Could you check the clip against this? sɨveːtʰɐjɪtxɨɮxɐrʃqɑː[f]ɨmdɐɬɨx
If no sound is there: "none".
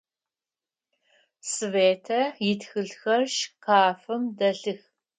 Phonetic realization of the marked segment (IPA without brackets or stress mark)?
f